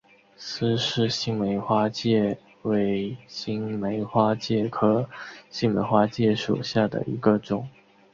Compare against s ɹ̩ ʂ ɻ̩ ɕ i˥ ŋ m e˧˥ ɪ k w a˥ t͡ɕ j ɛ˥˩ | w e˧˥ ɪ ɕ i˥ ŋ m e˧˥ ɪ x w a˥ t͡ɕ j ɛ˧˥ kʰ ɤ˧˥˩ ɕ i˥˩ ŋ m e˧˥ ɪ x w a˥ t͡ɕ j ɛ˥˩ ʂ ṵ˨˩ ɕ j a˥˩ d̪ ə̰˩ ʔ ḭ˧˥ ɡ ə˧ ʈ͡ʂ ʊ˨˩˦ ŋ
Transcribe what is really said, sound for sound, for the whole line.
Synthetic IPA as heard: s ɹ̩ ʂ ɻ̩ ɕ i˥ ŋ m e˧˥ ɪ x w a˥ t͡ɕ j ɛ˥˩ | w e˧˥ ɪ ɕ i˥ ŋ m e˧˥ ɪ x w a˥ t͡ɕ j ɛ˥˩ kʰ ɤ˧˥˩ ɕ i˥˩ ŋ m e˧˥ ɪ x w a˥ t͡ɕ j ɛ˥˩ ʂ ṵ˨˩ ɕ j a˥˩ d̪ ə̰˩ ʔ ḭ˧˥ ɡ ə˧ ʈ͡ʂ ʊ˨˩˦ ŋ

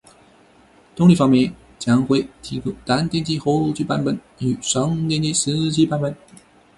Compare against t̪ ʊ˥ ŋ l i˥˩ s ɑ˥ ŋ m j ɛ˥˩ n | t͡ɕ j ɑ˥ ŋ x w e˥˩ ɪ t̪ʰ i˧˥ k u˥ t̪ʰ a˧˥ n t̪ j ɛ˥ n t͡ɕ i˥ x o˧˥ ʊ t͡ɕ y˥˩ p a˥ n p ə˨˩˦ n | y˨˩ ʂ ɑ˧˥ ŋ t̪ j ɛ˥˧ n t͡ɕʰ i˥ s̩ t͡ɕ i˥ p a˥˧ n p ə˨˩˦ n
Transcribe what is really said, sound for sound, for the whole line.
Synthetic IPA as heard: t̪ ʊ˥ ŋ l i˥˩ f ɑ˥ ŋ m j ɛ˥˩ n | t͡ɕ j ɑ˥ ŋ x w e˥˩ ɪ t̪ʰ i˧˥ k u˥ t̪ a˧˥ n t̪ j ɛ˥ n t͡ɕ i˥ x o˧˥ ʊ t͡ɕ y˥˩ p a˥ n p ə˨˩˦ n | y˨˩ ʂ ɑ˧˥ ŋ t̪ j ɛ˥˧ n t͡ɕ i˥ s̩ t͡ɕ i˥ p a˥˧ n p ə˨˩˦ n

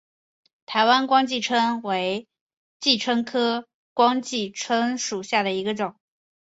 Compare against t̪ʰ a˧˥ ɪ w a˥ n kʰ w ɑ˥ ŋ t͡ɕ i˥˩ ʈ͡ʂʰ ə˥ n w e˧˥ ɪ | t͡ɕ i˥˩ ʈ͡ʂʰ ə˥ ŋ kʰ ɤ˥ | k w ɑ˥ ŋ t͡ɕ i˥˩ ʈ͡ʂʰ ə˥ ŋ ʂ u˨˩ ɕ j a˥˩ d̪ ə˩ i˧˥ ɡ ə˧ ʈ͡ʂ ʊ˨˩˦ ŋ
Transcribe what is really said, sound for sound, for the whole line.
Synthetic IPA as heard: t̪ʰ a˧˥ ɪ w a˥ n k w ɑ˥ ŋ t͡ɕ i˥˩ ʈ͡ʂʰ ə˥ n w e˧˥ ɪ | t͡ɕ i˥˩ ʈ͡ʂʰ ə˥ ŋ kʰ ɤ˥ | k w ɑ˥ ŋ t͡ɕ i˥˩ ʈ͡ʂʰ ə˥ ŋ ʂ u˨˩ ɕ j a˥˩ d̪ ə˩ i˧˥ ɡ ə˧ ʈ͡ʂ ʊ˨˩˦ ŋ

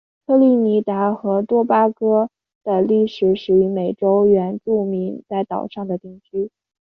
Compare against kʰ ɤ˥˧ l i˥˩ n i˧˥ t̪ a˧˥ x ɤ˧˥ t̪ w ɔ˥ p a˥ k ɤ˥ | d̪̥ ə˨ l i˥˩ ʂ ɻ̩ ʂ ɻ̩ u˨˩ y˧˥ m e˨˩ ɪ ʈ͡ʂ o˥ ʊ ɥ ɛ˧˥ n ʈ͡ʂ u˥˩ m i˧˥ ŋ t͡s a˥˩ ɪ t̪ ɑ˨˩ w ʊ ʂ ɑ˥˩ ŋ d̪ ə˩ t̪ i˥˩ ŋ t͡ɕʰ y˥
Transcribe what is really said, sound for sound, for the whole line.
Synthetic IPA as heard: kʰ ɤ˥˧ l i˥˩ n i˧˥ t̪ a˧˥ x ɤ˧˥ t̪ w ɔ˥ p a˥ k ɤ˥ | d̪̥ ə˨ l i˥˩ ʂ ɻ̩ ʂ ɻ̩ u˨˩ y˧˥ m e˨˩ ɪ ʈ͡ʂ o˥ ʊ ɥ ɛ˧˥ n ʈ͡ʂ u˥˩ m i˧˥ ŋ t͡s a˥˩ ɪ t̪ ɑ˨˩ ʊ ʂ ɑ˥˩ ŋ d̪ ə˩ t̪ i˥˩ ŋ t͡ɕʰ y˥

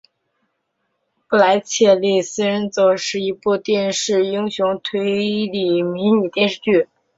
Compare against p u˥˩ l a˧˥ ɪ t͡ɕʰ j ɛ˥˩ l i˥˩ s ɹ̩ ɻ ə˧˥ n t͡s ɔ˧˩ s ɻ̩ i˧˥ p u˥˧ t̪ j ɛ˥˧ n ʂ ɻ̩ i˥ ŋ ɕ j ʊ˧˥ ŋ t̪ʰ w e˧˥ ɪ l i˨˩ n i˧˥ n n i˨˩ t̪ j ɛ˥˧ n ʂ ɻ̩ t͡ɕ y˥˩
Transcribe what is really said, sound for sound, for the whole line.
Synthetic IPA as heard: p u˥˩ l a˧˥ ɪ t͡ɕʰ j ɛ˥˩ l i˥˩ s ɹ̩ ɻ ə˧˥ n t͡s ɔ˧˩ ʂ ɻ̩ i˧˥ p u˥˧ t̪ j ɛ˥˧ n ʂ ɻ̩ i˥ ŋ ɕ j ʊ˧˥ ŋ t̪ʰ w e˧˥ ɪ l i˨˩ m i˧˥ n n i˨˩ t̪ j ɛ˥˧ n ʂ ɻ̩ t͡ɕ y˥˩

